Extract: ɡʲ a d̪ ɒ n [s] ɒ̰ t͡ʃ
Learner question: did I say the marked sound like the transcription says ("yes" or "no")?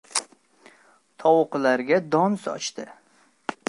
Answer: yes